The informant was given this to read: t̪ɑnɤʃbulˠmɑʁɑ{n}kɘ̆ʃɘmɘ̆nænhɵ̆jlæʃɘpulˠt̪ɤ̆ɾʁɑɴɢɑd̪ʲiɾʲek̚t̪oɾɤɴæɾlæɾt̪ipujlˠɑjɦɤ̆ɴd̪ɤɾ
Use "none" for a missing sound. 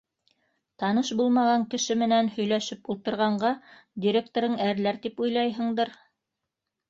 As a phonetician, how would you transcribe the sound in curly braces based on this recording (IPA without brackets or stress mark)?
ŋ